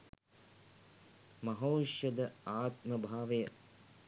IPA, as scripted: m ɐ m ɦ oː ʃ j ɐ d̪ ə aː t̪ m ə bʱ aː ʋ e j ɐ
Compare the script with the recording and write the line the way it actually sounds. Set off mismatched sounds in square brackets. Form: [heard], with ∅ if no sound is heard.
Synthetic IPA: m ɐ [∅] ɦ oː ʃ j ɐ d̪ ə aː t̪ m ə bʱ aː ʋ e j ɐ